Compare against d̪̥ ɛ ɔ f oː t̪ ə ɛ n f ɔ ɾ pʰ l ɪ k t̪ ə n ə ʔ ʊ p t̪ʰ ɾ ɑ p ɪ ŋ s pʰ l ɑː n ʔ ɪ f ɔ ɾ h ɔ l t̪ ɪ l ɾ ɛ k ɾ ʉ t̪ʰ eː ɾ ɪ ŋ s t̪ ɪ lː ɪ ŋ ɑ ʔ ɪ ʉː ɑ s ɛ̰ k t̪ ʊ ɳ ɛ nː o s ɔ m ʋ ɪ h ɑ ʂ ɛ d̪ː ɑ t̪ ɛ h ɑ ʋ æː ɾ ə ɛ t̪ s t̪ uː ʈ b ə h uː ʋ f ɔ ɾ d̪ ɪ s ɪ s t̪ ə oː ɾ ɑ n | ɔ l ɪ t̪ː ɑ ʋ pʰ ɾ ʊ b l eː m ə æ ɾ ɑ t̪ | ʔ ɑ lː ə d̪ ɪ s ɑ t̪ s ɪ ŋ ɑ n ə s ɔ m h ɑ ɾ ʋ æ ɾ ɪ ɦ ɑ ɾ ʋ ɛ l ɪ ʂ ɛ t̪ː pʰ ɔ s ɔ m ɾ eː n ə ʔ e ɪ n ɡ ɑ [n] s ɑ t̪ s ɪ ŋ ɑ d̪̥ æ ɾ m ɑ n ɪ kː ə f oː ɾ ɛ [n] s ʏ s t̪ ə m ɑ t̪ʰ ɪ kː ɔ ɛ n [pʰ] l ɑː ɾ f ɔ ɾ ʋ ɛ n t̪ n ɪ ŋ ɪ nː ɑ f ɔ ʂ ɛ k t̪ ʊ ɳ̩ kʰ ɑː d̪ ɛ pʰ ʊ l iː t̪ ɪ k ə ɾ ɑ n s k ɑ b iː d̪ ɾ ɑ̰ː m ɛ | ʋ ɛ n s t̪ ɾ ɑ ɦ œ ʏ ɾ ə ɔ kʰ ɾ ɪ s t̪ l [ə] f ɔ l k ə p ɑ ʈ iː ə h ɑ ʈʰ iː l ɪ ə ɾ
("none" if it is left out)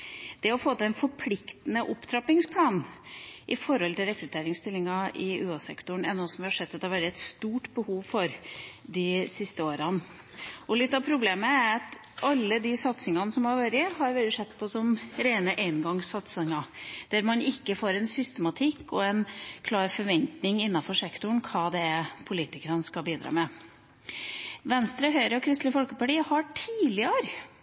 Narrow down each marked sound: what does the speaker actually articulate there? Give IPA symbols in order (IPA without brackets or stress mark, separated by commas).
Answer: ŋ, n, kʰ, ə